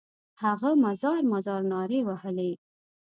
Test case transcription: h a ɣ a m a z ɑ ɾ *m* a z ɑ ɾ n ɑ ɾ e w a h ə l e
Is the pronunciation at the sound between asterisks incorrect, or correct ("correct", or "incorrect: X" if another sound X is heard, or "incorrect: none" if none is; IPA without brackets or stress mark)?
correct